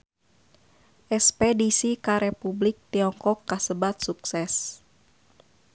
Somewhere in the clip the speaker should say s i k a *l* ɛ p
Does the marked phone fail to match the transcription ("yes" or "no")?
yes